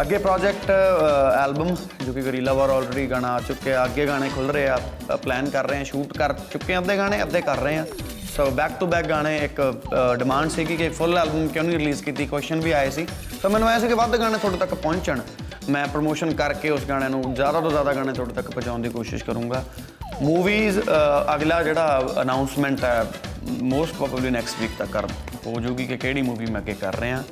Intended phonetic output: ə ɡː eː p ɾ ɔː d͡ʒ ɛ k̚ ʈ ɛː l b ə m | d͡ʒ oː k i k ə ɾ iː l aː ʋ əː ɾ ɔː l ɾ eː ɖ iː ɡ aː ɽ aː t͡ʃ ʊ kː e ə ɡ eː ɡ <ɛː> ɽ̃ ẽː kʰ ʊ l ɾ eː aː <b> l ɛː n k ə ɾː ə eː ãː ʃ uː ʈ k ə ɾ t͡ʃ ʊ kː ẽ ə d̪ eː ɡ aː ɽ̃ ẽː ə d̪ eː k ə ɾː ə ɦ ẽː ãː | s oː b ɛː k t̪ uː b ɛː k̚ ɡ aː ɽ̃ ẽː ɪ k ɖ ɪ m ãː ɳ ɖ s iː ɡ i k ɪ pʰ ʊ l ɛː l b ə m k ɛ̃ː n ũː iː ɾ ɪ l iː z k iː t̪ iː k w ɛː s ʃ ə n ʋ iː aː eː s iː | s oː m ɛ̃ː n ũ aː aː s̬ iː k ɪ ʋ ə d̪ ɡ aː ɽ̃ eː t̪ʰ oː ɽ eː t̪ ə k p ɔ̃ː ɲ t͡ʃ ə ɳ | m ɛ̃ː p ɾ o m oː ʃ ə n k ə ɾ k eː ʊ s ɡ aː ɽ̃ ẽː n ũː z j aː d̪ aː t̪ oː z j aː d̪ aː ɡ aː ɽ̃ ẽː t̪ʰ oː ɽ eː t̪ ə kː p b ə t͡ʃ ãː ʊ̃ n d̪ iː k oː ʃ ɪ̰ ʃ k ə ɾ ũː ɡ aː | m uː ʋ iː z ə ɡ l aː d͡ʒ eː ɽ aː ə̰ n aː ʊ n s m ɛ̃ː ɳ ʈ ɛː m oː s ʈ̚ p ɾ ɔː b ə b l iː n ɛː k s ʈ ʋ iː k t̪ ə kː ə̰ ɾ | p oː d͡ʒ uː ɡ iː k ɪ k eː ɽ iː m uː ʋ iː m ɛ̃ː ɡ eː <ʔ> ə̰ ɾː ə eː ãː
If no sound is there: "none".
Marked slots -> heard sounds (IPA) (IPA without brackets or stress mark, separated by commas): aː, p, k